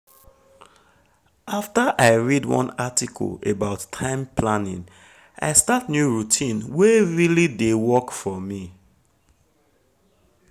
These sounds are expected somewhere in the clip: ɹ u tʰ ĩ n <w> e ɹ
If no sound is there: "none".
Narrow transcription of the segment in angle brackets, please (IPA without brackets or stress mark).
w